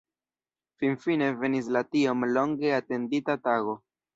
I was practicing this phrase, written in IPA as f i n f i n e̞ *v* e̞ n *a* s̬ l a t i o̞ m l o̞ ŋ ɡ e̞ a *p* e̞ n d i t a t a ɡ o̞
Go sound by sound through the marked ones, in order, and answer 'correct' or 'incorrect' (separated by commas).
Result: correct, incorrect, incorrect